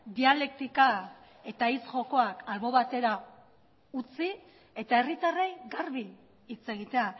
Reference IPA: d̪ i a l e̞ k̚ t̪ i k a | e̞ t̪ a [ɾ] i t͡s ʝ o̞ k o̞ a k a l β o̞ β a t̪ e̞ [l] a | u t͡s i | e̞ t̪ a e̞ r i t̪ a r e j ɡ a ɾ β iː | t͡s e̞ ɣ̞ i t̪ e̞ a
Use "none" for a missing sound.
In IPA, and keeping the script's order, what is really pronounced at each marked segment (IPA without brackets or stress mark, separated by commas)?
none, ɾ